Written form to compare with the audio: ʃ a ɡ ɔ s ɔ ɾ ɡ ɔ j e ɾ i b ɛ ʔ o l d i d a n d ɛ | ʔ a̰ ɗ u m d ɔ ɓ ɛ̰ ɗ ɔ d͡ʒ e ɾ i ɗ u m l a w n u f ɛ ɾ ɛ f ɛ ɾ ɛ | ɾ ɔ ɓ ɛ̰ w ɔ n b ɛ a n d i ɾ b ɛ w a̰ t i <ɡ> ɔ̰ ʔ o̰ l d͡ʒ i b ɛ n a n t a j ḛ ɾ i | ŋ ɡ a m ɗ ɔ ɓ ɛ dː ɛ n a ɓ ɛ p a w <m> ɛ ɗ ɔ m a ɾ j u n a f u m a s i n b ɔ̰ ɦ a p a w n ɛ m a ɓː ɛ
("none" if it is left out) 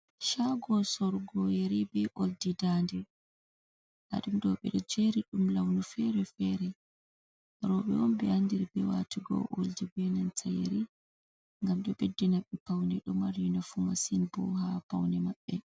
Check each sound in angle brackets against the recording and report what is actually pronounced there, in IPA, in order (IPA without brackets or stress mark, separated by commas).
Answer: ɡ, n